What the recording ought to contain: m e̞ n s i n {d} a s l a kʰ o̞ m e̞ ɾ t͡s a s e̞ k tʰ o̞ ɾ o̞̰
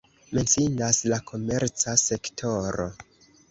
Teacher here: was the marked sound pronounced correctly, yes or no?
yes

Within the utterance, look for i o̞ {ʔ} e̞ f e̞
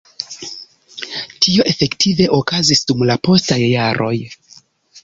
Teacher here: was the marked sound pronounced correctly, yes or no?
yes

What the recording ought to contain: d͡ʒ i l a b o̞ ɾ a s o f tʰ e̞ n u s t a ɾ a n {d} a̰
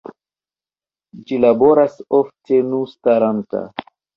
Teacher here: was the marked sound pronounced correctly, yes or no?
no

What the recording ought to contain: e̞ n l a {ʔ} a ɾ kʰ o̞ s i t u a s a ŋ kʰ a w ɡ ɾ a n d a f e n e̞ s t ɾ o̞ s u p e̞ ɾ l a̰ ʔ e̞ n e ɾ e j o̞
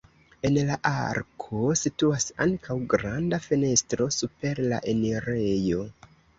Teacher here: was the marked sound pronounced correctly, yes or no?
yes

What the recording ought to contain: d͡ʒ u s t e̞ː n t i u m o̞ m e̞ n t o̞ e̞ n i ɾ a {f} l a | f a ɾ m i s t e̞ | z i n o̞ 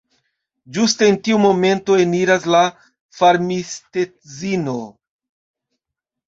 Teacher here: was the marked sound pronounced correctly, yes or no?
no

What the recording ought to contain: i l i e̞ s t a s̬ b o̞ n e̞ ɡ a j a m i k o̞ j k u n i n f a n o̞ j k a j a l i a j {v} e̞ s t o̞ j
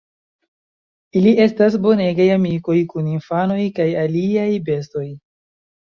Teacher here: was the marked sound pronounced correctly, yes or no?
no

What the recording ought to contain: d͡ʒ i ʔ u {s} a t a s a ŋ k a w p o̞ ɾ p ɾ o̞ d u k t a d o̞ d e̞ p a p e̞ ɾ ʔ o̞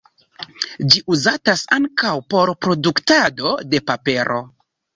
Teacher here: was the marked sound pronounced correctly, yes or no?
no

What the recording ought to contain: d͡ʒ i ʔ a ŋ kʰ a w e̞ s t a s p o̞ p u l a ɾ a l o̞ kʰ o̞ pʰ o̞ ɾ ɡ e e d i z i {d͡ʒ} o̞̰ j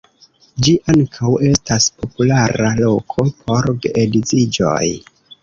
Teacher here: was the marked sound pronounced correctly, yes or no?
yes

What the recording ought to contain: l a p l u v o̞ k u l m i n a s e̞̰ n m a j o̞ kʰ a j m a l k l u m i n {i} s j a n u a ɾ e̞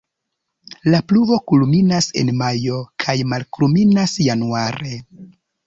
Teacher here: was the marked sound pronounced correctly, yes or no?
no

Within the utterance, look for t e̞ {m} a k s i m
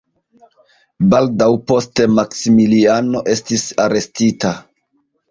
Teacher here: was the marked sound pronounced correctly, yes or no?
yes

